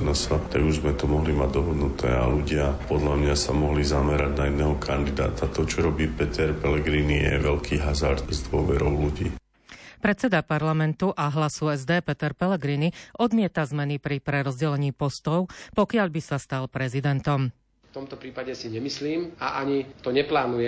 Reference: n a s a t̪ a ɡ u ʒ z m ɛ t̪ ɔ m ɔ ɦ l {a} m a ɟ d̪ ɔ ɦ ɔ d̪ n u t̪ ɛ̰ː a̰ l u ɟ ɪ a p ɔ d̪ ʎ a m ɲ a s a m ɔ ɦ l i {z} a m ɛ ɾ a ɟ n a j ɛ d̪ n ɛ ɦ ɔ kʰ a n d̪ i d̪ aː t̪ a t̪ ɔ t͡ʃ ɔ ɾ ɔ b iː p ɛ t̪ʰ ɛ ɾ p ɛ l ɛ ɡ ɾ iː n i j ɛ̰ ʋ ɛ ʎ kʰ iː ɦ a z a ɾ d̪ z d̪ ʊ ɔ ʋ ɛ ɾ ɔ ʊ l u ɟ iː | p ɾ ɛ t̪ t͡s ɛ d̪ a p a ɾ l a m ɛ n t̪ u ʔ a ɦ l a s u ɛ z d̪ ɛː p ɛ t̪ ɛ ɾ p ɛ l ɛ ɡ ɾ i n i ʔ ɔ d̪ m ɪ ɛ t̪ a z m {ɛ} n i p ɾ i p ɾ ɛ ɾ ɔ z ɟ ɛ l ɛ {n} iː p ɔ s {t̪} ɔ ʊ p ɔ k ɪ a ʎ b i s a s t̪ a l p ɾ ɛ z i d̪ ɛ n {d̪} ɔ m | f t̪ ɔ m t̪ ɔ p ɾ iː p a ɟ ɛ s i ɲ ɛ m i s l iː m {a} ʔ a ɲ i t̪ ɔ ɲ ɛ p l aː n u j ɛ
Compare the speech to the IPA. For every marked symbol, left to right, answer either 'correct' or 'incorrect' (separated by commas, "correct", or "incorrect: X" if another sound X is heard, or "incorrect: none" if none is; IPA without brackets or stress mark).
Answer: incorrect: i, correct, correct, incorrect: ɲ, correct, incorrect: t̪, correct